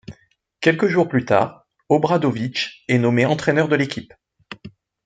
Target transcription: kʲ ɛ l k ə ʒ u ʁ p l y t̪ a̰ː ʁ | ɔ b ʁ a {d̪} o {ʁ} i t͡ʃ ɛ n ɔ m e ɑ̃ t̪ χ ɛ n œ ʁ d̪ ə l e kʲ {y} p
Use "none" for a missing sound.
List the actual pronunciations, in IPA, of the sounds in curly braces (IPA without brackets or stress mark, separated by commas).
d̪, v, i